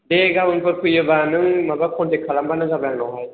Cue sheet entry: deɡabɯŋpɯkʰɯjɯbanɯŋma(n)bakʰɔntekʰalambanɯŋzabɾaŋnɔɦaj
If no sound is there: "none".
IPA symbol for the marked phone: none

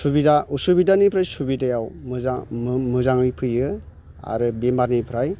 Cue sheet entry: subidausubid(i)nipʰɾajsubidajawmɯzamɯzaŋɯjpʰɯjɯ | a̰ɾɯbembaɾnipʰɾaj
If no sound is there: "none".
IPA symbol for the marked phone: a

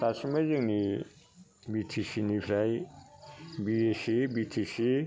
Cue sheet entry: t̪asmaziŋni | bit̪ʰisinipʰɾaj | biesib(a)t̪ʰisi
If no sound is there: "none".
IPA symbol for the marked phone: i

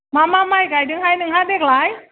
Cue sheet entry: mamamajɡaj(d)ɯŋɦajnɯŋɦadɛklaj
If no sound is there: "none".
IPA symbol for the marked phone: d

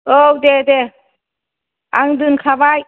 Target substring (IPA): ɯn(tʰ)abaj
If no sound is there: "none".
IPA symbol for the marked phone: kʰ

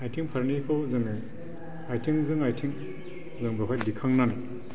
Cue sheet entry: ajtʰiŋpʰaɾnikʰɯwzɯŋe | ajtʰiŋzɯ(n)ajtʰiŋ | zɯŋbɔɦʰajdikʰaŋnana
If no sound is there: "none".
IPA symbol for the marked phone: ŋ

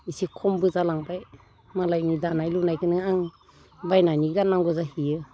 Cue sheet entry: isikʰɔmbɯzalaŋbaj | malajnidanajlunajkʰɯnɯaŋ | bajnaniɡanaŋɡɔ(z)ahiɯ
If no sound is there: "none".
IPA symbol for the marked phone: z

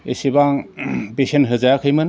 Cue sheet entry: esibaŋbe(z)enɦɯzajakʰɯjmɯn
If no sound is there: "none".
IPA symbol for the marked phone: s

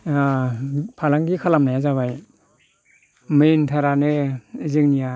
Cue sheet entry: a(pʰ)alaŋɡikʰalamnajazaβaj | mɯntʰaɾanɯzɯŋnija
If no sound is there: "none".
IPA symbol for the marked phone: pʰ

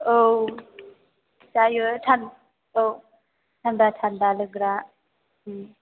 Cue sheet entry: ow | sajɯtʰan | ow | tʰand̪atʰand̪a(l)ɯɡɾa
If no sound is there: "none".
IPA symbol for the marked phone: l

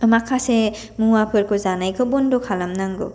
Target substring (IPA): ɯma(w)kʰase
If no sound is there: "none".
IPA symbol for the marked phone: none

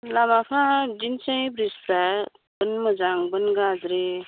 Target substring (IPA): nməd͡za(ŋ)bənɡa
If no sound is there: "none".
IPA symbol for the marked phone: ŋ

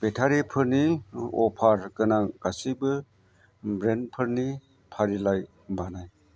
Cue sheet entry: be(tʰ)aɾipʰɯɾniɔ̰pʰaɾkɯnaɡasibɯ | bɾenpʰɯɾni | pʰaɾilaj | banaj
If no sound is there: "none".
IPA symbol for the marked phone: tʰ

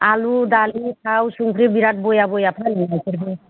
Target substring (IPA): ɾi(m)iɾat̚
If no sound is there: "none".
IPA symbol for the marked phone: b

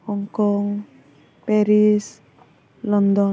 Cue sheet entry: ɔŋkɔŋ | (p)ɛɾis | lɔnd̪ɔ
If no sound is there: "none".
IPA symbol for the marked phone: p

